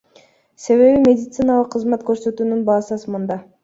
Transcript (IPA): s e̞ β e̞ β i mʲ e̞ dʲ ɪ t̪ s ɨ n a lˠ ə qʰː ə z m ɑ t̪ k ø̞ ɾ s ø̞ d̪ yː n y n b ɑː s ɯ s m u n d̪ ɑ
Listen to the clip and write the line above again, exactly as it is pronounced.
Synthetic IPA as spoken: s e̞ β e̞ β i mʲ e̞ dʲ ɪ t̪ s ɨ n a lˠ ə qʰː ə z m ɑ t̪ k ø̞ ɾ s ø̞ t̪ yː n y n b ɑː s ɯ s m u n d̪ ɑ